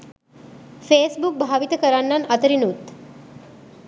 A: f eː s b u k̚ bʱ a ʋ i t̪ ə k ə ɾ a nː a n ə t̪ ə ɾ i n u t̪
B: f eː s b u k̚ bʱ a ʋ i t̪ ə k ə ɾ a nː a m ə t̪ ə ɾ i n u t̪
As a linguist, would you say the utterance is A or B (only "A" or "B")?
A